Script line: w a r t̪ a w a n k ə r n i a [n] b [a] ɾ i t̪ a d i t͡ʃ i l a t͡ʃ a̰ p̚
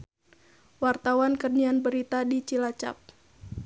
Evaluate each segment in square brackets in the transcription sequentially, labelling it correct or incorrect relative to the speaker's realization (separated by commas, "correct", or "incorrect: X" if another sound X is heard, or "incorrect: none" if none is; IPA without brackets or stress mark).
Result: correct, incorrect: ə